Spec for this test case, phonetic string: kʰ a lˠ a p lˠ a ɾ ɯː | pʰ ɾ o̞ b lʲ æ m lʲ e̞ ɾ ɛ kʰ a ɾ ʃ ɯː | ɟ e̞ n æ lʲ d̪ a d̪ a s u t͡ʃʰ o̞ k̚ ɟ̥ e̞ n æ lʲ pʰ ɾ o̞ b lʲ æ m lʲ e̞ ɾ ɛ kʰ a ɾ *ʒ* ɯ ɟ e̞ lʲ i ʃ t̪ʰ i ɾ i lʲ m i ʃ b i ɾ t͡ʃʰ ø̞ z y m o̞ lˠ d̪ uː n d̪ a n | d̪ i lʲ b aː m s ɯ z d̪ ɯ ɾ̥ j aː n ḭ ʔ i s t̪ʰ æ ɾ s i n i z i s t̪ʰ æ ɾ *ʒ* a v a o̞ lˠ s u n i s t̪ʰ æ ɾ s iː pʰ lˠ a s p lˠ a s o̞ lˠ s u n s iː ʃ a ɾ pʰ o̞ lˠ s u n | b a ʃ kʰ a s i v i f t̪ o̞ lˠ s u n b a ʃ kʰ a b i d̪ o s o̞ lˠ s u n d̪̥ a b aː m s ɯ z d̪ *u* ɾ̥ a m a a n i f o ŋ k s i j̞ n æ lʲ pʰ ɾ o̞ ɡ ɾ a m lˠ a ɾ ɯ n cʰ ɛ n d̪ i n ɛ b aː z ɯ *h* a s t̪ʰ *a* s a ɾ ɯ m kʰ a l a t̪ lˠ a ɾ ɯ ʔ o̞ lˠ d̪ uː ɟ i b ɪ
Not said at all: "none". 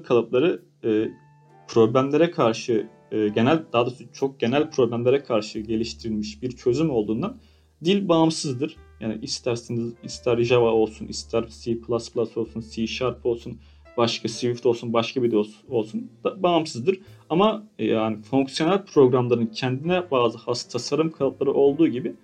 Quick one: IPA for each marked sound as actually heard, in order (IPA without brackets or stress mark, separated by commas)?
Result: ʃ, ʒ, ɯ, h, a